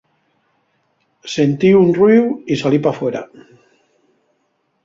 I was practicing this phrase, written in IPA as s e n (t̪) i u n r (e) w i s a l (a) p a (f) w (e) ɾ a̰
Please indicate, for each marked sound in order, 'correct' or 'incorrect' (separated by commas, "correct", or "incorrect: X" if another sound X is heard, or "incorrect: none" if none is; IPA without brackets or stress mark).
correct, incorrect: i, incorrect: i, correct, correct